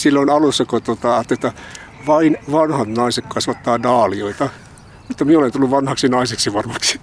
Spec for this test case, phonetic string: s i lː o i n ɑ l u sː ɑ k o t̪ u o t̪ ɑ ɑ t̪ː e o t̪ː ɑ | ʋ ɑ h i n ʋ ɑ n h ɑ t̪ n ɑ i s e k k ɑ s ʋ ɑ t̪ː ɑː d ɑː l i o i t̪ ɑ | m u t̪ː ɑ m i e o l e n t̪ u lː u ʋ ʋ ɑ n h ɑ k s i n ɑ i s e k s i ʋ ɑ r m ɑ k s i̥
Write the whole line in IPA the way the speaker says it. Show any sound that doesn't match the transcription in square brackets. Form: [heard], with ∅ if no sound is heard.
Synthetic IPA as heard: s i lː o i n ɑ l u sː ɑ k o t̪ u o t̪ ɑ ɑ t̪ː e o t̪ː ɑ | ʋ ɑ [∅] i n ʋ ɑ n h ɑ t̪ n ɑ i s e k k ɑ s ʋ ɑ t̪ː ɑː d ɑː l i o i t̪ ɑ | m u t̪ː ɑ m i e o l e n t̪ u lː u ʋ ʋ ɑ n h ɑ k s i n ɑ i s e k s i ʋ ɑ r m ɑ k s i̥